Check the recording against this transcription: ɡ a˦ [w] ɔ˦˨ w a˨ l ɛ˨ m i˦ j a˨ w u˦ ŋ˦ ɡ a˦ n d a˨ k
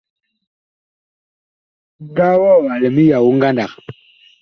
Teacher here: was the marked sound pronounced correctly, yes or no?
yes